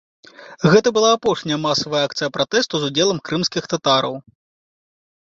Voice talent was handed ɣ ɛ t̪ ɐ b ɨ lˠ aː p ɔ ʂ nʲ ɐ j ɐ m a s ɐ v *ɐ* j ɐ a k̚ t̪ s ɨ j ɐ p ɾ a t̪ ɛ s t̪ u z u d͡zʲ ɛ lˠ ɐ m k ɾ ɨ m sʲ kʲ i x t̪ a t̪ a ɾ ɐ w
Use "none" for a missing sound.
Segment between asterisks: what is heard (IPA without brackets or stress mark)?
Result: ɐ